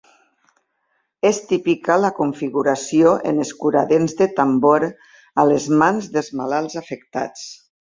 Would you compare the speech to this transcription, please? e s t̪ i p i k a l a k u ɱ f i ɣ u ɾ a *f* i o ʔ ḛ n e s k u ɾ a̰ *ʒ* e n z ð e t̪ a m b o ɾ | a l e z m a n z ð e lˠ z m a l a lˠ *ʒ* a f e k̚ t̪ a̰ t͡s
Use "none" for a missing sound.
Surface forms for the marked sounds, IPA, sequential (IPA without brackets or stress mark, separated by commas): s, ð, z